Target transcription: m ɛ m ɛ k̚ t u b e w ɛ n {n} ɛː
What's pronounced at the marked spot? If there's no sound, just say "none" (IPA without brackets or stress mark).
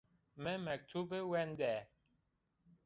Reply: d